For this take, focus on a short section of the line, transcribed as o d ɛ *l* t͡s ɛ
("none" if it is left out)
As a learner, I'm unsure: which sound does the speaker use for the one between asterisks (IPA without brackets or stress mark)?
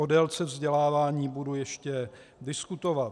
l